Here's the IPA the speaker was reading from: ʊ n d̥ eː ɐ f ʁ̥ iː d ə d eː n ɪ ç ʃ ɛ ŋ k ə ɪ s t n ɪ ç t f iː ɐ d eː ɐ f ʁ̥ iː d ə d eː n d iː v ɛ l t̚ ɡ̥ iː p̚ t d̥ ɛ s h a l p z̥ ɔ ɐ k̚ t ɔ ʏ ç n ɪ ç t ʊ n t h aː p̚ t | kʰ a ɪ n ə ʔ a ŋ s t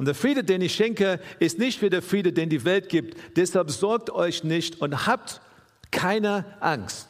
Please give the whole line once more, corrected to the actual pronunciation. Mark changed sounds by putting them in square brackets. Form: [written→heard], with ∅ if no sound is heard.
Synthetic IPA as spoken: ʊ n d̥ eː ɐ f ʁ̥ iː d ə d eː n ɪ ç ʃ ɛ ŋ k ə ɪ s t n ɪ ç t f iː ɐ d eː ɐ f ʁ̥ iː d ə d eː n d iː v ɛ l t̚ ɡ̥ iː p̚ t d̥ ɛ s h a l p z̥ ɔ ɐ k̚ t ɔ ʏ ç n ɪ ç t ʊ n t h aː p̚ t | kʰ a ɪ n ə ʔ a ŋ s t